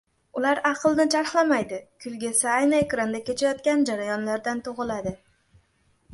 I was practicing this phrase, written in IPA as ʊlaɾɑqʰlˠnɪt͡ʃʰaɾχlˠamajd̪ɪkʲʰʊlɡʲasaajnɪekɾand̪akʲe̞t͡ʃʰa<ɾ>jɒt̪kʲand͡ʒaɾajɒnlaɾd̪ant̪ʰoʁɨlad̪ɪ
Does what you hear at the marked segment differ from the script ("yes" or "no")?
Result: yes